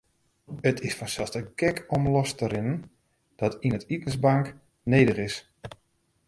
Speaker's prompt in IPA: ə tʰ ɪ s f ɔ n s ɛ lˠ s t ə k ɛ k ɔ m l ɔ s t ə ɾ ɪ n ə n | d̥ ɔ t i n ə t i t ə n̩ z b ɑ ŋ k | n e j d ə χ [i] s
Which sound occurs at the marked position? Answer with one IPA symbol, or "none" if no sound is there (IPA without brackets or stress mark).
ɪ